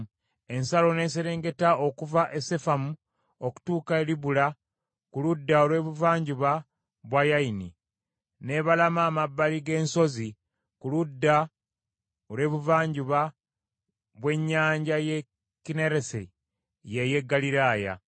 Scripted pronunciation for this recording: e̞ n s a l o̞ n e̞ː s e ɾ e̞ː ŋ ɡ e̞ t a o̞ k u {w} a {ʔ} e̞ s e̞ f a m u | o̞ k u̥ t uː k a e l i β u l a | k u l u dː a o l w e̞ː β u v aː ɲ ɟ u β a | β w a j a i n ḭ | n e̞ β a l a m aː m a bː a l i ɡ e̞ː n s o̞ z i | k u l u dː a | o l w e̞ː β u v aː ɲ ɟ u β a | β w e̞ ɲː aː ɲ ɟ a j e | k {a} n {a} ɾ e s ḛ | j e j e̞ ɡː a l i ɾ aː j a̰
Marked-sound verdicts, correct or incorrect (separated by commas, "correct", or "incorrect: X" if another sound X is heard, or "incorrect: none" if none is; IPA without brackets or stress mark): incorrect: v, correct, incorrect: i, incorrect: e